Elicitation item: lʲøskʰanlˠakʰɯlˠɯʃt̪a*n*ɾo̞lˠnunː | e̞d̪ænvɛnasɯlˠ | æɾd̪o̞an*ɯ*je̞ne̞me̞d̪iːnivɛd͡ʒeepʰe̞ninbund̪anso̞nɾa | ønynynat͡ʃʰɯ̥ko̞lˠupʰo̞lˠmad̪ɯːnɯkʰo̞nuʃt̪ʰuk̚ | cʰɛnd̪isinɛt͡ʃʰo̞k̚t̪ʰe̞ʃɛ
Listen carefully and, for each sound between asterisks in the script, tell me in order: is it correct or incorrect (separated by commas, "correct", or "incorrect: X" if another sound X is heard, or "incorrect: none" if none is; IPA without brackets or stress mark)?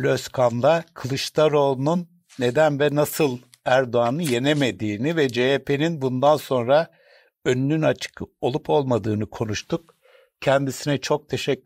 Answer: incorrect: none, correct